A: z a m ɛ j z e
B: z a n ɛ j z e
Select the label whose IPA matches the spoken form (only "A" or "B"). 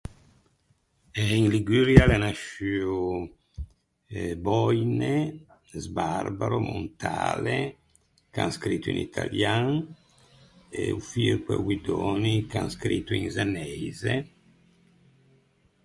B